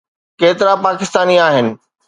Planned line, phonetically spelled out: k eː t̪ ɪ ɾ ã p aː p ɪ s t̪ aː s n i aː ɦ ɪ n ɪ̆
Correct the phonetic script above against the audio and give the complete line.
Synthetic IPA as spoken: k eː t̪ ɪ ɾ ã p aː k ɪ s t̪ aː n i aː ɦ ɪ n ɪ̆